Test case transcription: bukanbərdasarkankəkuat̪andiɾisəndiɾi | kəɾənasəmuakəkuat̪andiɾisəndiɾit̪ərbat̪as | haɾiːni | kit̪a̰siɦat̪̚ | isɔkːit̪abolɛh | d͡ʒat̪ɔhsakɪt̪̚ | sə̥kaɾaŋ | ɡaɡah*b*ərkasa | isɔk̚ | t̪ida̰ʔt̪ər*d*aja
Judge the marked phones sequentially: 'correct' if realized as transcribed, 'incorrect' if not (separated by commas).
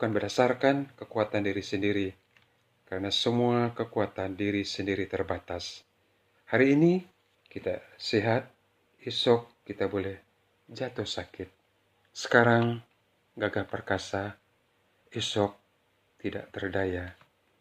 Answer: incorrect, correct